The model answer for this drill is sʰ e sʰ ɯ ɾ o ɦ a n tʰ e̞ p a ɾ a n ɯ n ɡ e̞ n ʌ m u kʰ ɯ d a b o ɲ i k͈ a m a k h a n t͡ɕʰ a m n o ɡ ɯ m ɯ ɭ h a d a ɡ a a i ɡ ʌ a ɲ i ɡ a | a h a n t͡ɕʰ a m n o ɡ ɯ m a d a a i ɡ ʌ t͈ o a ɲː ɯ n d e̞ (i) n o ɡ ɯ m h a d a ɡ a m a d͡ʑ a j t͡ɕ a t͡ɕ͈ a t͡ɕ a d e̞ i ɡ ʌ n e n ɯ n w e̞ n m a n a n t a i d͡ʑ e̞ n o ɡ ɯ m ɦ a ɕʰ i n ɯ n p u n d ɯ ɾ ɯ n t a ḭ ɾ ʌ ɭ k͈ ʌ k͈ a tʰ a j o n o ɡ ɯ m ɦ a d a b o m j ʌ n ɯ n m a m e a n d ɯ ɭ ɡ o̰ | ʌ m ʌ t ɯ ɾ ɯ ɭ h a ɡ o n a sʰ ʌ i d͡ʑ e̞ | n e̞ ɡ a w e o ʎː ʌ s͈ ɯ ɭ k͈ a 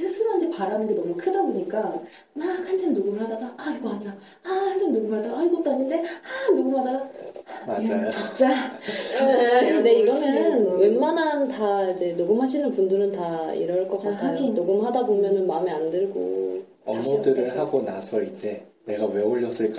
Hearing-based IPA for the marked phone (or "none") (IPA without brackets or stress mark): a